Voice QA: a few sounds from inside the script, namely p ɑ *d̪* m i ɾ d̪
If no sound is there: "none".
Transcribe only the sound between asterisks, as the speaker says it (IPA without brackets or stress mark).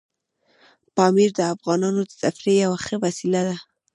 none